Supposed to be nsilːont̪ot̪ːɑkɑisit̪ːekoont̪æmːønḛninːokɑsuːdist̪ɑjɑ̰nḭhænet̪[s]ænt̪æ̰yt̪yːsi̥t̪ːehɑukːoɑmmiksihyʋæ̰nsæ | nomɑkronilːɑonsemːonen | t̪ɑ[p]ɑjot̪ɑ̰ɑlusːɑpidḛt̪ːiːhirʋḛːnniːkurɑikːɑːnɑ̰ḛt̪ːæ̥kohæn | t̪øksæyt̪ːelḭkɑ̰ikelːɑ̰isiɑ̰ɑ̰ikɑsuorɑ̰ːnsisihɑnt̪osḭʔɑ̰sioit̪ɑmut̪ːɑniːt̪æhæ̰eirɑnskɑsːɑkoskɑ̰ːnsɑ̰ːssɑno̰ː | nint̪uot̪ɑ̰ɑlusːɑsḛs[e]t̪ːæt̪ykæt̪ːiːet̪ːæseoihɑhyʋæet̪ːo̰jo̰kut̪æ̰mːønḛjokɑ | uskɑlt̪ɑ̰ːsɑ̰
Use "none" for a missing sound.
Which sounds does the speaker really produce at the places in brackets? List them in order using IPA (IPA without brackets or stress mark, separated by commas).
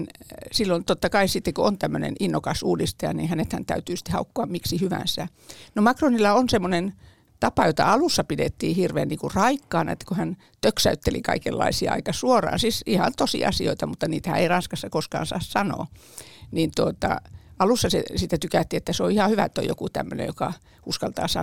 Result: h, p, i